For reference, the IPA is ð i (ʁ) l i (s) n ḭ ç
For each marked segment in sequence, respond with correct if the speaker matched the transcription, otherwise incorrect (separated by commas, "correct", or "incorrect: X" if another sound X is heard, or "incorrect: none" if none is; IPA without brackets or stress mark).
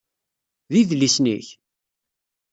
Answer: incorrect: ð, correct